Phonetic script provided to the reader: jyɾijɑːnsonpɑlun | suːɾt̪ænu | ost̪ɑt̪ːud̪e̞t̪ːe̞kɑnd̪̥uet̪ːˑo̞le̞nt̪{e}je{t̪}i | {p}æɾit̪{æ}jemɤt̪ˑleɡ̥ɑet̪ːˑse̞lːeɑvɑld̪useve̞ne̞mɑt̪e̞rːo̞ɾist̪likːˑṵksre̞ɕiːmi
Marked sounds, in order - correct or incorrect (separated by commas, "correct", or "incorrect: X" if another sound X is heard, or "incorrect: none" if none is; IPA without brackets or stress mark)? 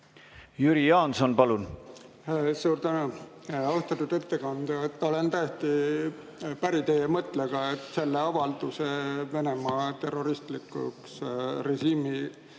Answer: incorrect: æ, correct, correct, incorrect: e